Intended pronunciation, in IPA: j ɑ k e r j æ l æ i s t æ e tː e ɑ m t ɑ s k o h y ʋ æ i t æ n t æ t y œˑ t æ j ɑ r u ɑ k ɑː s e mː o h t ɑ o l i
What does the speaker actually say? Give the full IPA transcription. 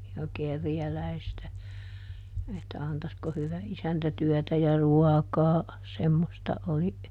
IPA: j ɑ k e r j æ l æ i s t æ e tː æ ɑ n t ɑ s k o h y ʋ æ i s æ n t æ t y œˑ t æ j ɑ r u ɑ k ɑː s e mː o s t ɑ o l i